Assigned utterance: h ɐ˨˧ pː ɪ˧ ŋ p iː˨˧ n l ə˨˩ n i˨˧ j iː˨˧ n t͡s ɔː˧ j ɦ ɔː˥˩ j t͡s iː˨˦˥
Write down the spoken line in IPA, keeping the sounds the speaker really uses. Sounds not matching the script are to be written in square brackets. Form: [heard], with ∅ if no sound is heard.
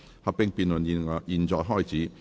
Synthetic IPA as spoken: h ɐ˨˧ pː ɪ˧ ŋ p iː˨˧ n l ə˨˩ n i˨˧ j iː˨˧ n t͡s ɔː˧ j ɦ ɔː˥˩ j t͡s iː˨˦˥